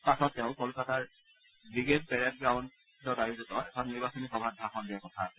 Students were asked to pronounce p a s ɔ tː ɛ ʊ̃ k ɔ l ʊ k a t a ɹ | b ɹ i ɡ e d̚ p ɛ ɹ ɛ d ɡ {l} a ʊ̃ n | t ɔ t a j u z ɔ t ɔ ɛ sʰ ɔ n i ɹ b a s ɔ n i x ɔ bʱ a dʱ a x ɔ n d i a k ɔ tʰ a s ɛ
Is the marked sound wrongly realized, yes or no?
yes